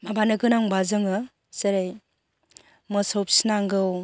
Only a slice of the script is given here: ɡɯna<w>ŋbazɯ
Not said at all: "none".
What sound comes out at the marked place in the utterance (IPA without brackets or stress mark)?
none